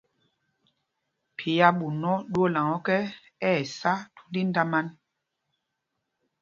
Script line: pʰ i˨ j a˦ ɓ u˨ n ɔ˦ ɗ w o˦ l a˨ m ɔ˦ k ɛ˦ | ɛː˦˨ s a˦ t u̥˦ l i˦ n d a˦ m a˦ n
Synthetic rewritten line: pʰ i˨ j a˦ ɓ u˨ n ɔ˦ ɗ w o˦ l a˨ ŋ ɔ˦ k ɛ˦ | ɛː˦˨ s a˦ t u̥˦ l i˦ n d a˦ m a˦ n